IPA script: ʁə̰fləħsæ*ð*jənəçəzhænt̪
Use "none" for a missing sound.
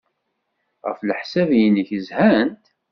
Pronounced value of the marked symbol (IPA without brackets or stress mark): v